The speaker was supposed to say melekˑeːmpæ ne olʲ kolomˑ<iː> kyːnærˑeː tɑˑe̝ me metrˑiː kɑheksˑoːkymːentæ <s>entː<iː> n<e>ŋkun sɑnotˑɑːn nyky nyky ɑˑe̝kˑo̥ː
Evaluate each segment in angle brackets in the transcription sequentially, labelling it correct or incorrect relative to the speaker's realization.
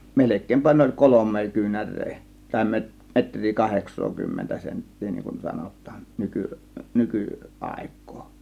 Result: incorrect, correct, correct, incorrect

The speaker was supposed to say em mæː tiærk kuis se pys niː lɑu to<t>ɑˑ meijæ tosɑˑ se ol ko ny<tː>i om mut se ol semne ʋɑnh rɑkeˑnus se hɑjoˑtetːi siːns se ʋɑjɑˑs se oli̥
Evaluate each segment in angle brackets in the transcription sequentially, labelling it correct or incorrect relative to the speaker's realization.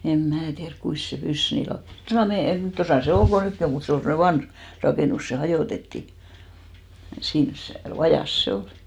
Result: incorrect, incorrect

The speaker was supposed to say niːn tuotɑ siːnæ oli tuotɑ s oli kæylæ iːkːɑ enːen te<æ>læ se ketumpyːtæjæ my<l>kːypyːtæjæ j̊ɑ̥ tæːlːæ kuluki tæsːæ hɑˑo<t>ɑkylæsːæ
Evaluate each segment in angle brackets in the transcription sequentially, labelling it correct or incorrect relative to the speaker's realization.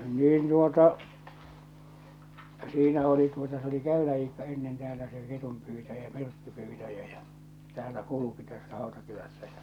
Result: incorrect, incorrect, correct

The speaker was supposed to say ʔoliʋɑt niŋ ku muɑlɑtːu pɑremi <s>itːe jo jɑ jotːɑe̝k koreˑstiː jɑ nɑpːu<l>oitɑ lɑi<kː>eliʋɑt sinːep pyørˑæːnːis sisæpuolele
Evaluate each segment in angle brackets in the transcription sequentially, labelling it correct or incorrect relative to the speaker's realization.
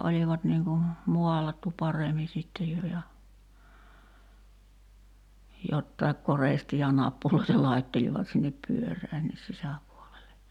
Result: correct, correct, incorrect

